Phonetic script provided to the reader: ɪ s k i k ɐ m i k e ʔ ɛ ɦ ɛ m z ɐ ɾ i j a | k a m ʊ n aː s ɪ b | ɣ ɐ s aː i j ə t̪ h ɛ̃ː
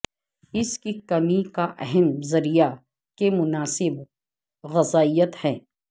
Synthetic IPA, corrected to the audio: ɪ s k i k ɐ m i k a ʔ ɛ ɦ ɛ m z ɐ ɾ i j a | k e m ʊ n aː s ɪ b | ɣ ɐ z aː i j ə t̪ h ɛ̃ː